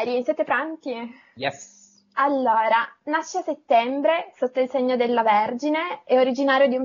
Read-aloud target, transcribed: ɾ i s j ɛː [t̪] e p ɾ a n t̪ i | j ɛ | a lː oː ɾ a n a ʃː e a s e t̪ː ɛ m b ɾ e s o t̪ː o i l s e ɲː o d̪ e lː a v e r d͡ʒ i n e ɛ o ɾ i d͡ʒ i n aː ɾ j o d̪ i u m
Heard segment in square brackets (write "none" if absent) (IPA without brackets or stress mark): t̪